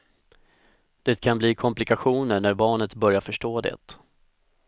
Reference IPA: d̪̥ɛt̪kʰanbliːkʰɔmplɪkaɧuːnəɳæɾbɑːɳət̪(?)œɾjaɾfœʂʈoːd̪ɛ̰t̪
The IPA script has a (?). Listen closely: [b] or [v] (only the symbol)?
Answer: b